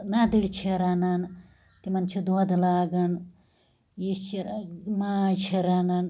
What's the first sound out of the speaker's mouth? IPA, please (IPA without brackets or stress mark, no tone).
n